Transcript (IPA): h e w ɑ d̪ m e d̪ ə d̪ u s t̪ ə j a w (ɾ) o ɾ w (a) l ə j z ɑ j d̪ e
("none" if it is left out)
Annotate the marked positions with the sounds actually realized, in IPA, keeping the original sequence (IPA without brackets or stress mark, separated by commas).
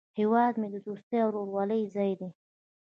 ɾ, ɑ